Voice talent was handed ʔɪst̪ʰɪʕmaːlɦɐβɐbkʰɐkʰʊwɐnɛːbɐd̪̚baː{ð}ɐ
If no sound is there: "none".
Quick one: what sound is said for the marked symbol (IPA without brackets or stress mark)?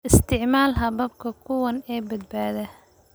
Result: ð